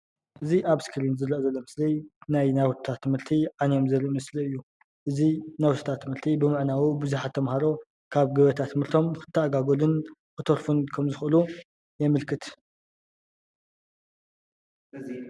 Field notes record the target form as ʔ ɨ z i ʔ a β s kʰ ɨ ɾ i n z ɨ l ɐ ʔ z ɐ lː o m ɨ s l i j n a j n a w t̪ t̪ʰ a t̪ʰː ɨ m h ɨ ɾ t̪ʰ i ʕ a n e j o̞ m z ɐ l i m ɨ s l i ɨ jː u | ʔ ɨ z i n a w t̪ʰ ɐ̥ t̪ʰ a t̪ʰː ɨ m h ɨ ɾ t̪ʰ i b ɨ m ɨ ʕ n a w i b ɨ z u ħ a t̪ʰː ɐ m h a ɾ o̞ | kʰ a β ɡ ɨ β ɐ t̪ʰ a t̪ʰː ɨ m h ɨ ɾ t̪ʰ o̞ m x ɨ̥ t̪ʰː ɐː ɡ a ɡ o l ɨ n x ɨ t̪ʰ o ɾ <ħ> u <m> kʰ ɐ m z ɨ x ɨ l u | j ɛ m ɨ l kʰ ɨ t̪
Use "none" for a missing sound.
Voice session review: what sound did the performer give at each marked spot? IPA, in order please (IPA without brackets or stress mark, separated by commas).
f, n